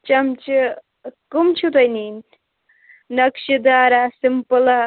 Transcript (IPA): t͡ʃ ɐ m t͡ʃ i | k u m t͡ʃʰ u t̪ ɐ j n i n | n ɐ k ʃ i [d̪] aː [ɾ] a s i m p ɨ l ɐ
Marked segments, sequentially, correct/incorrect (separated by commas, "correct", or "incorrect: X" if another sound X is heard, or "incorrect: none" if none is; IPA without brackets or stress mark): correct, correct